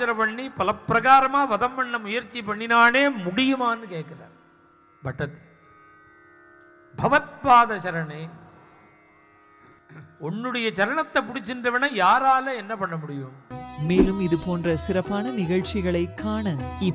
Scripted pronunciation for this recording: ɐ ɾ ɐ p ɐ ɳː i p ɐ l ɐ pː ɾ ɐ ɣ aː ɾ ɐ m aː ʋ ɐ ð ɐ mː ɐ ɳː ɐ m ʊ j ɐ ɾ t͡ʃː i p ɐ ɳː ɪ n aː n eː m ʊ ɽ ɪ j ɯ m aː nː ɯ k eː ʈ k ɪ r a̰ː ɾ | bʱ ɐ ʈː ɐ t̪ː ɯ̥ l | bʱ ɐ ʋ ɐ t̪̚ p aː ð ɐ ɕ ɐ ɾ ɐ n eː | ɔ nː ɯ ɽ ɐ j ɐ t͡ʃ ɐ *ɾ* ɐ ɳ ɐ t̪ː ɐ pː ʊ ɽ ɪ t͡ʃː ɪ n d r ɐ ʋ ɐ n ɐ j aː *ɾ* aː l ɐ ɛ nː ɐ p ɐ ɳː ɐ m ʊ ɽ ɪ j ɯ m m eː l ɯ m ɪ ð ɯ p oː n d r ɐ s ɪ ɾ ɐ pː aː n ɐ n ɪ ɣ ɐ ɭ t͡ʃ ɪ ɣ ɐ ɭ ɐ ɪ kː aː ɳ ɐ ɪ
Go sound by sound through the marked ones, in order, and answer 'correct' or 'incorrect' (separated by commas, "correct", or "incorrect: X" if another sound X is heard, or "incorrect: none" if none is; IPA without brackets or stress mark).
correct, correct